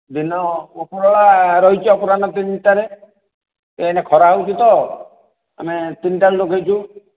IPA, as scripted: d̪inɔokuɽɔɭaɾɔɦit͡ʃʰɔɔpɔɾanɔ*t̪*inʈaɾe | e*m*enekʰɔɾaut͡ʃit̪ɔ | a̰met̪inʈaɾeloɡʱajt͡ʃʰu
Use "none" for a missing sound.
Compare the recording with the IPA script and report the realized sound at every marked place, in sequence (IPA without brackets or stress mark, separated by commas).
t̪, none